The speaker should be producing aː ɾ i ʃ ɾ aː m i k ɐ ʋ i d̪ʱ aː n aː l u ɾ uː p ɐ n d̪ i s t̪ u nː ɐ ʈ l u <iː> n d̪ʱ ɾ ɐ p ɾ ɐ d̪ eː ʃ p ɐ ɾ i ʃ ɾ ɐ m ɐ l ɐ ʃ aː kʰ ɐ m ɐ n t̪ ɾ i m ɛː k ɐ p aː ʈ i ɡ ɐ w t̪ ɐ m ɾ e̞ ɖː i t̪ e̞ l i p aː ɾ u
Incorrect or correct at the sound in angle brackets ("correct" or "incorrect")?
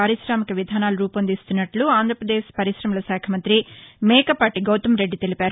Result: incorrect